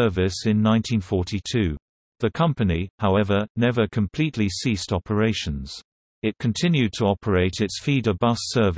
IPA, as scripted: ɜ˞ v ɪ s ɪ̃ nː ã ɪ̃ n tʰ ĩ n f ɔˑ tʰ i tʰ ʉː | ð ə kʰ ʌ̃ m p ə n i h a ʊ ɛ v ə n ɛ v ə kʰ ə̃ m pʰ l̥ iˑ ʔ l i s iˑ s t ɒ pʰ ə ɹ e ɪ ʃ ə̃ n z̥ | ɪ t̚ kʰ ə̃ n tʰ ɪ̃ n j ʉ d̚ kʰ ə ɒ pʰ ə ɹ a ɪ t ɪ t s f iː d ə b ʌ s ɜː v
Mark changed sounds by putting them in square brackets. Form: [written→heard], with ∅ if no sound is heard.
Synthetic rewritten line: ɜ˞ v ɪ s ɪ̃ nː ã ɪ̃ n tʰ ĩ n f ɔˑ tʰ i tʰ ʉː | ð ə kʰ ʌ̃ m p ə n i h a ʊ ɛ v ə n ɛ v ə kʰ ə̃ m pʰ l̥ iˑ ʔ l i s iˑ s t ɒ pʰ ə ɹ e ɪ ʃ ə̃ n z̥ | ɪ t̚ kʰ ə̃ n tʰ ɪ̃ n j ʉ d̚ [kʰ→tʰ] ə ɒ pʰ ə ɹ [a→e] ɪ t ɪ t s f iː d ə b ʌ s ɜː v